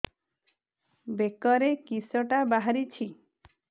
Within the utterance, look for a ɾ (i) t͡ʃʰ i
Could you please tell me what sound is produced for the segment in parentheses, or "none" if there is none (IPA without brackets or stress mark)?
i